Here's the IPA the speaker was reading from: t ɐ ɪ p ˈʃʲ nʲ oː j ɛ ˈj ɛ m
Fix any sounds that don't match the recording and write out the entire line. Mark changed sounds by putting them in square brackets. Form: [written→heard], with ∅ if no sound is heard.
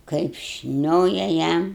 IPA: [t→k] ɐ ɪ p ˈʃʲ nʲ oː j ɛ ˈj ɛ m